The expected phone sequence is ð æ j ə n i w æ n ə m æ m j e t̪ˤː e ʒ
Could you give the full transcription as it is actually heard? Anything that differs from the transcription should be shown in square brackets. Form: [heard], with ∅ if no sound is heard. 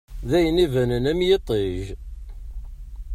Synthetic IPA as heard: ð æ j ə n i [v] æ n ə [n] æ m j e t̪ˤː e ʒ